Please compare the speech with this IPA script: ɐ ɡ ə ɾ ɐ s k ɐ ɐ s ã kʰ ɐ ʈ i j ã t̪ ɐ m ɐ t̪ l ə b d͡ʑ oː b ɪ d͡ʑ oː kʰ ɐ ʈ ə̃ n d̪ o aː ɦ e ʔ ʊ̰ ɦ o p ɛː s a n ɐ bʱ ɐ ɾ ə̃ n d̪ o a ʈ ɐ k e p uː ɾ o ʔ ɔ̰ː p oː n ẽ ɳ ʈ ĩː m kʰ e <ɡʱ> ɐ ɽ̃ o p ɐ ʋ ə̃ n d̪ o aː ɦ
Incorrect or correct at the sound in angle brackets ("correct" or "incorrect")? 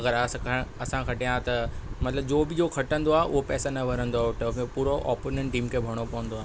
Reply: incorrect